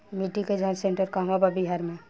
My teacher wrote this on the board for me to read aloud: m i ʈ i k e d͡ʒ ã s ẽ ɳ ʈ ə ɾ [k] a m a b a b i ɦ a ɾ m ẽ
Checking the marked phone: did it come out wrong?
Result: no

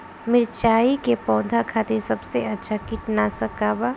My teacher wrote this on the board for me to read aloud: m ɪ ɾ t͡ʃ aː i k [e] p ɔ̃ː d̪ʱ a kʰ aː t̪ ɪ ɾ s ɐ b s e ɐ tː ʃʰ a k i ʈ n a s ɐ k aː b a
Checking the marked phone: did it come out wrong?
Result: no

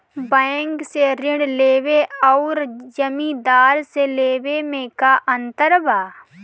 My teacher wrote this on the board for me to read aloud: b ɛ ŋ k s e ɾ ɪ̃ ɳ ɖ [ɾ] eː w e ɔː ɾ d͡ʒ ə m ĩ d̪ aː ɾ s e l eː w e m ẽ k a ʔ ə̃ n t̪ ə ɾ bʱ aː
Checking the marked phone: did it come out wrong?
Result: yes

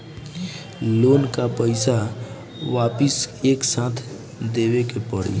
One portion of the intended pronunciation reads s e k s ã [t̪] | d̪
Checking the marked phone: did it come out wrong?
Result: yes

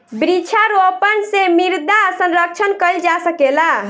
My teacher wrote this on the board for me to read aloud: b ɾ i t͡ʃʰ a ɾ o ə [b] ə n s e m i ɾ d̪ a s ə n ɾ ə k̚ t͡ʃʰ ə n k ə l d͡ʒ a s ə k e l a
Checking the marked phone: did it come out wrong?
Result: yes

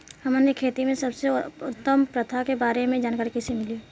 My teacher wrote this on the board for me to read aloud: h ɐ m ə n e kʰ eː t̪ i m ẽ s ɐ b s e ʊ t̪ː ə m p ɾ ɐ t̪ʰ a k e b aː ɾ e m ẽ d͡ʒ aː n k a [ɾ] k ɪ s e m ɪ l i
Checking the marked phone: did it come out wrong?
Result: no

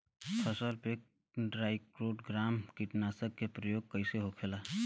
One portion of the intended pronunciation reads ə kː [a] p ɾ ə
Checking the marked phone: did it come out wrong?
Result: yes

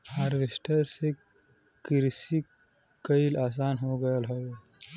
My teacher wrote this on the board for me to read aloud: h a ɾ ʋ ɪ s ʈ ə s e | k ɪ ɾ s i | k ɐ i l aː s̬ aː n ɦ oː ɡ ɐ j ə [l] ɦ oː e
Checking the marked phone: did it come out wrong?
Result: no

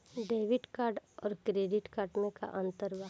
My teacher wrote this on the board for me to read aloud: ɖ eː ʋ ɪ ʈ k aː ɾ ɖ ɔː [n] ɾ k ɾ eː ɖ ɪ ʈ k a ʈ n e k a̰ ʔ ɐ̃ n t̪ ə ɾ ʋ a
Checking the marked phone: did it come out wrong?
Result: yes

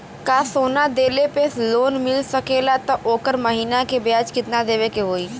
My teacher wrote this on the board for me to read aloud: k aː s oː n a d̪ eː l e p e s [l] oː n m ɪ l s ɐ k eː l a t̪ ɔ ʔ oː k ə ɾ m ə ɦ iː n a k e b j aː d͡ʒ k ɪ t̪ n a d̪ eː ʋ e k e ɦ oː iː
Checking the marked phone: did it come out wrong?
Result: no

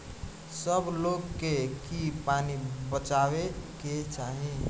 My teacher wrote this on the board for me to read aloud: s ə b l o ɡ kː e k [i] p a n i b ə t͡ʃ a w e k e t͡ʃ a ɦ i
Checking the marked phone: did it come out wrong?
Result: no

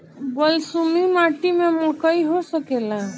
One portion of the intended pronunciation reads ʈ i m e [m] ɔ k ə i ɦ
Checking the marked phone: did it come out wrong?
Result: no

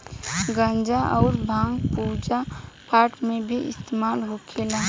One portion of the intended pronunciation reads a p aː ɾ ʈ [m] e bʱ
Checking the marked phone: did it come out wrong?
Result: no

